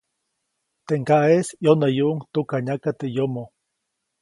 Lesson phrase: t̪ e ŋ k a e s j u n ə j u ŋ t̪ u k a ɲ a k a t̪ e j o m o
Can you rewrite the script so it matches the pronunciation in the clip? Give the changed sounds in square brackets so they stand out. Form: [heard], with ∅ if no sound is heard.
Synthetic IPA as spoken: t̪ e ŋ k a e s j [o] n [a] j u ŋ t̪ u k a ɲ a k a t̪ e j o m o